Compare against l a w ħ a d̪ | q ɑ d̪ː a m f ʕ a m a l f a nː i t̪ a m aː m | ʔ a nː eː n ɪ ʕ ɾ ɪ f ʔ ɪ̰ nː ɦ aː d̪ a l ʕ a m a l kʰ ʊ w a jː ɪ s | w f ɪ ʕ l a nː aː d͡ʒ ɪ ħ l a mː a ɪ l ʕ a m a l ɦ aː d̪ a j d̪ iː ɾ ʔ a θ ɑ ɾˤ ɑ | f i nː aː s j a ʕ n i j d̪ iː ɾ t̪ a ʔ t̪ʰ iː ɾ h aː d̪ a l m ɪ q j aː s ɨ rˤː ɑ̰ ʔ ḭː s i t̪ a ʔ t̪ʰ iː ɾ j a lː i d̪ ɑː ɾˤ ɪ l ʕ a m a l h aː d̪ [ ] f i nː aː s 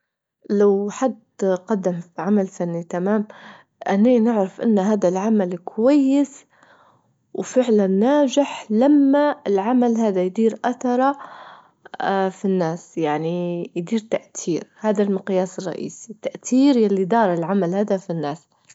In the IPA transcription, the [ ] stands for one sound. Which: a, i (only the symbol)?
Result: a